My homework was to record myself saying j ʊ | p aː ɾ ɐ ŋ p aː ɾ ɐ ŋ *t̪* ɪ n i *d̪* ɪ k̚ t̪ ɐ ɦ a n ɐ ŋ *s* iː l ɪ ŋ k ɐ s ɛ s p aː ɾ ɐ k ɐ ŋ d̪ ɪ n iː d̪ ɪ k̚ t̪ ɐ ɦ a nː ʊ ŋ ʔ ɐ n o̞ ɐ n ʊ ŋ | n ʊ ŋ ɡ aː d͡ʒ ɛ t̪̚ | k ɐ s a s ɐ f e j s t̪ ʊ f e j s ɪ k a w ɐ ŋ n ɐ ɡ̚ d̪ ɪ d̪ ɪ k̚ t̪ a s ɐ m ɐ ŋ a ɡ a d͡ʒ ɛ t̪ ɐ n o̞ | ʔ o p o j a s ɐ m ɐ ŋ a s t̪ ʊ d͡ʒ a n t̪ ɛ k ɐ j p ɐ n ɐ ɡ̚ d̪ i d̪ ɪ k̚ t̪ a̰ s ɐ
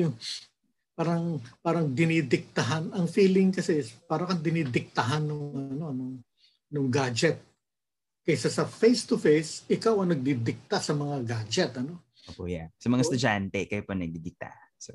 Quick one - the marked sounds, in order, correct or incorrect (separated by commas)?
incorrect, correct, incorrect